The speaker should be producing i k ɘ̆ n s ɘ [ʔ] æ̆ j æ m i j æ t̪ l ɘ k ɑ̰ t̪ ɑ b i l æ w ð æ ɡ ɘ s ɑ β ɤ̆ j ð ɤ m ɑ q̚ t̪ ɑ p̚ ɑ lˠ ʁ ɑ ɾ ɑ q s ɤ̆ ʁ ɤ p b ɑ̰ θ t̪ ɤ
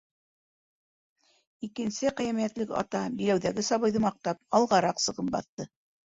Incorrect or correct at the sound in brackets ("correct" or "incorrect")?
incorrect